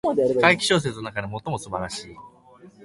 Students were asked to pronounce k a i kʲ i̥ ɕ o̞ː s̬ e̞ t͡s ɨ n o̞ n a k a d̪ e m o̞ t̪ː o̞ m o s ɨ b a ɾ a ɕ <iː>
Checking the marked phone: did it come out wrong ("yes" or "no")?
no